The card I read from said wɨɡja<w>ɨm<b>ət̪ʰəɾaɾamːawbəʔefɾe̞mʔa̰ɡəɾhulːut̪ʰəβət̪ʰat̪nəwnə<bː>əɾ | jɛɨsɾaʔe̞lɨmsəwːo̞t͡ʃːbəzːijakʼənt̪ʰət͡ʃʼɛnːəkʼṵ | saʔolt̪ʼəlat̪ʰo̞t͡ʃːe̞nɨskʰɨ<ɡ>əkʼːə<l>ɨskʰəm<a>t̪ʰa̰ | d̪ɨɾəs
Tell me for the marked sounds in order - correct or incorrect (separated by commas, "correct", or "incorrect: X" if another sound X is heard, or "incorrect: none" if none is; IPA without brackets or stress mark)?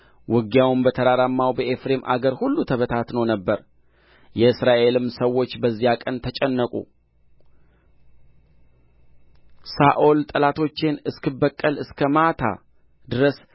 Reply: correct, correct, correct, incorrect: b, correct, correct